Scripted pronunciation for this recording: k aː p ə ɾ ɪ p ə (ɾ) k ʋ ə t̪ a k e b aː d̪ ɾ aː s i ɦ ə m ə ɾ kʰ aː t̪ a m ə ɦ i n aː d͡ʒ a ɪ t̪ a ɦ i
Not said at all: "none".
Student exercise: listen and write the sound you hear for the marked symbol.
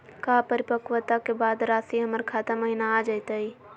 none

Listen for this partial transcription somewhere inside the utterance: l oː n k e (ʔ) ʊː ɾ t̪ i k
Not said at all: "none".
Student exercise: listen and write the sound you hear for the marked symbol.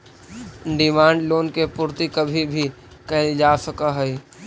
p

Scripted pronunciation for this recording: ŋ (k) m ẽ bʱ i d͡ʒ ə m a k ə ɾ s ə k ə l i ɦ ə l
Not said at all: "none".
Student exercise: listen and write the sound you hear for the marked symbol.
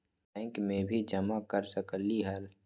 k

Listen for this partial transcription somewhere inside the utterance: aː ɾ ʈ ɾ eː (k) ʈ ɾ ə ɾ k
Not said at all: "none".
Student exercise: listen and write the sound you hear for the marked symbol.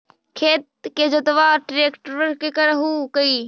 k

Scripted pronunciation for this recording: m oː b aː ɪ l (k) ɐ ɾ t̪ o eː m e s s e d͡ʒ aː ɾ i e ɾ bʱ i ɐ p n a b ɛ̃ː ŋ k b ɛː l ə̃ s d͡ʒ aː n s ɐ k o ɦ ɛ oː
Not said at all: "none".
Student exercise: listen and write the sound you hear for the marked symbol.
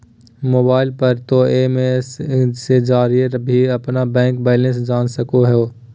p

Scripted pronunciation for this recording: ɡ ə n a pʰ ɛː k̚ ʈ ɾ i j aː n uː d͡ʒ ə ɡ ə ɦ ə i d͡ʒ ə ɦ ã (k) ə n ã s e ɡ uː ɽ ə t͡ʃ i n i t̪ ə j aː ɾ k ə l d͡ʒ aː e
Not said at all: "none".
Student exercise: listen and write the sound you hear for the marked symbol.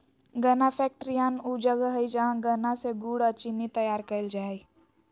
ɡ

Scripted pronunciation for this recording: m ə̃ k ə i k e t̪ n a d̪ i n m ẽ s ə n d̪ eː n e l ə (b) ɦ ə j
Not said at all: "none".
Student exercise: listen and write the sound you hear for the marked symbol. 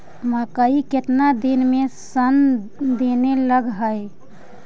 ɡ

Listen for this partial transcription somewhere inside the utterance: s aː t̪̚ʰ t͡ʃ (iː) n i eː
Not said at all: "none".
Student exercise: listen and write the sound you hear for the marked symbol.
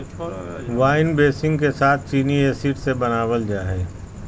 iː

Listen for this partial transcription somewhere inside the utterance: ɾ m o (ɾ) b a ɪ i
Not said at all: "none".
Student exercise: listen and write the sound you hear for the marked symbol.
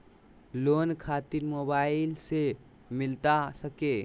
none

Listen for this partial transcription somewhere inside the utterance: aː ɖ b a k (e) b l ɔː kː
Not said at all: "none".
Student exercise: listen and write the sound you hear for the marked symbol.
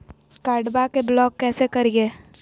e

